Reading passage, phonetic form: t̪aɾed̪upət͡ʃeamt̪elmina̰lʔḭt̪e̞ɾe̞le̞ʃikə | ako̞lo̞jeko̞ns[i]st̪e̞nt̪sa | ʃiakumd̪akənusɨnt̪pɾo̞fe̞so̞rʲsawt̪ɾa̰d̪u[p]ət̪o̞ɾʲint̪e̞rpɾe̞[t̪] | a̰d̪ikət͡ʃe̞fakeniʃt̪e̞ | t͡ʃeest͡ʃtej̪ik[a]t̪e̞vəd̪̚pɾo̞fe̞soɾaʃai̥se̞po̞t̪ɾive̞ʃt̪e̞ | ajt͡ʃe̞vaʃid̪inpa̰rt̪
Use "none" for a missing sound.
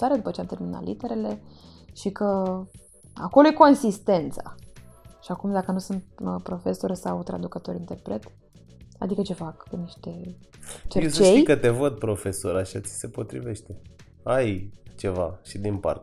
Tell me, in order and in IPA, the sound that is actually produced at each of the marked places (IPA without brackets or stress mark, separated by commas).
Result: i, k, t̪, ə